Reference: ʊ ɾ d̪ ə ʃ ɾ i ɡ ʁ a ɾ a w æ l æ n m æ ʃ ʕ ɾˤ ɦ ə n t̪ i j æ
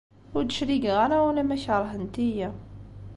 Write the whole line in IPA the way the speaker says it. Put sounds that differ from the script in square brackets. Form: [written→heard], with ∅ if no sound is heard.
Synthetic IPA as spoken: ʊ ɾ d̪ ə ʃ ɾ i ɡ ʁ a ɾ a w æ l æ [n→∅] m æ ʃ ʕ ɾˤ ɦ ə n t̪ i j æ